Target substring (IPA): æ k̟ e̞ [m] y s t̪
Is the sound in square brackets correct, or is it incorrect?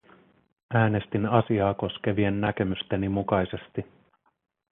correct